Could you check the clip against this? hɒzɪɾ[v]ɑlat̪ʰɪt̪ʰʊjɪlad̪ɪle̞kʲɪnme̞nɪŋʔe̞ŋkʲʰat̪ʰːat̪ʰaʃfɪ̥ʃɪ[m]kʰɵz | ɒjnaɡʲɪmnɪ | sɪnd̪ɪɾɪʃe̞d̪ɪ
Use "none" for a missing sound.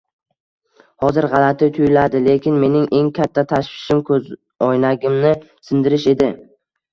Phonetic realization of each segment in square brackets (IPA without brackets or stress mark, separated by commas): ʁ, m